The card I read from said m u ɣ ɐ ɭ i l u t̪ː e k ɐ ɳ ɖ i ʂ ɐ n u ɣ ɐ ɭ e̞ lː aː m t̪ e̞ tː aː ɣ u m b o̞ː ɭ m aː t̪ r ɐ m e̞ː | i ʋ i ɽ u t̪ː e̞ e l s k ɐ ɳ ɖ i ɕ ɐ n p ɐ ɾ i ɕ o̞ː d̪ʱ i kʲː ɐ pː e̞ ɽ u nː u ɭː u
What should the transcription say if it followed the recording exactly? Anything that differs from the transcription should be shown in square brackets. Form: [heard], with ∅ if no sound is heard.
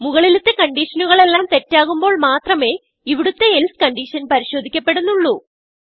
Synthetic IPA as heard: m u ɣ ɐ ɭ i l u t̪ː e k ɐ ɳ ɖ i ʂ ɐ n u ɣ ɐ ɭ e̞ lː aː m t̪ e̞ tː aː ɣ u m b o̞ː ɭ m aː t̪ r ɐ m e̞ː | i ʋ i ɽ u t̪ː e̞ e l s k ɐ ɳ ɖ i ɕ ɐ n p ɐ ɾ i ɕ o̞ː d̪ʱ i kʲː ɐ pː e̞ ɽ u nː u ɭː u